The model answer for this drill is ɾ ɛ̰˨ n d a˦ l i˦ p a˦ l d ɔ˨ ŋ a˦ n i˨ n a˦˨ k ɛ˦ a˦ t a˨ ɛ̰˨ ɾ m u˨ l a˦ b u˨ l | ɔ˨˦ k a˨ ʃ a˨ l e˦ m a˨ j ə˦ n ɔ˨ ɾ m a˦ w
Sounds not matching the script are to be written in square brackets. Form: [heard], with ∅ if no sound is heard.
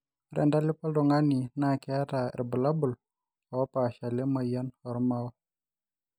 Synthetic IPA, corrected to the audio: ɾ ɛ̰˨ n d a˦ l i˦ p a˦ l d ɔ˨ ŋ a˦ n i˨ n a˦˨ k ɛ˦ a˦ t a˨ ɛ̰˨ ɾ [b] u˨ l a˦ b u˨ l | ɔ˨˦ [p] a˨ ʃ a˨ l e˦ m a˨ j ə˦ n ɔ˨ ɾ m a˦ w